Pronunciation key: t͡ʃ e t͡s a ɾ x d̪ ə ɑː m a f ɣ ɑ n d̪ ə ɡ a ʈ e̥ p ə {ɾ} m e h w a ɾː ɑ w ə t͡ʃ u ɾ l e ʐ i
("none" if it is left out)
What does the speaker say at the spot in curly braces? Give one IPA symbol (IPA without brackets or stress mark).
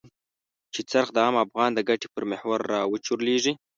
ɾ